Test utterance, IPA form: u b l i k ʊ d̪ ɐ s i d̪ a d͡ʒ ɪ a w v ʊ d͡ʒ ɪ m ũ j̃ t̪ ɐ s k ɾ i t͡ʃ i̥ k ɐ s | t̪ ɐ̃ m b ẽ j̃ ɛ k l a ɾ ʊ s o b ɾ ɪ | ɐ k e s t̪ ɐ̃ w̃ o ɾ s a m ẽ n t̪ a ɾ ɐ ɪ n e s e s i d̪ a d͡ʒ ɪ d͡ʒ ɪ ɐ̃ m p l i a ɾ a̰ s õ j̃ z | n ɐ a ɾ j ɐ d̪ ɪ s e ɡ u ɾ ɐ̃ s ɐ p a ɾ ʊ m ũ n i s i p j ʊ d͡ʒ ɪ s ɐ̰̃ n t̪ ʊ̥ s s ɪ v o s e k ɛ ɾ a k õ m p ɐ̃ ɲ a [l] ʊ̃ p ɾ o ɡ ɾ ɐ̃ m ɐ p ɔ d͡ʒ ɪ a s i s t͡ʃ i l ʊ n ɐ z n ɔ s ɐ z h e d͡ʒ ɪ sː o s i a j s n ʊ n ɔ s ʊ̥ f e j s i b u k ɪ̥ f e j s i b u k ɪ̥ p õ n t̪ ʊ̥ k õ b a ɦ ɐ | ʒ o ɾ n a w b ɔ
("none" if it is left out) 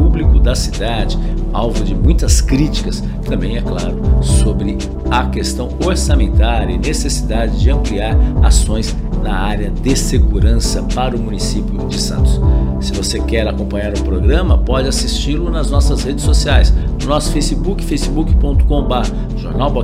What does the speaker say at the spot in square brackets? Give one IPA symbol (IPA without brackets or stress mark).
ɾ